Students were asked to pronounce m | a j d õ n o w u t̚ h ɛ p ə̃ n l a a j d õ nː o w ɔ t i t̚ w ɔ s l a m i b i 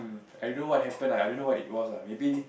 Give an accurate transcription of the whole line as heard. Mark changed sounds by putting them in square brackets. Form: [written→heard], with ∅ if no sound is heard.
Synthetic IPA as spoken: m | a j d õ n o w [u→ɔ] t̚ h ɛ p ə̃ n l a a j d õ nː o w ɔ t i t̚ w ɔ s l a m [i→e] b i